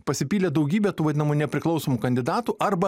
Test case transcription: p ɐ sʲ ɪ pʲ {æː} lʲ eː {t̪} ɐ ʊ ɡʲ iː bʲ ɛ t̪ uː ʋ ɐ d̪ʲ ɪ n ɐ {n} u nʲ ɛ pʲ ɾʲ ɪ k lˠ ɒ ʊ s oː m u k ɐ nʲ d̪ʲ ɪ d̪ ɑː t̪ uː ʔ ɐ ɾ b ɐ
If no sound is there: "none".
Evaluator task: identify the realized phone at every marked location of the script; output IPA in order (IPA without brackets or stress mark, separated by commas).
iː, d̪, m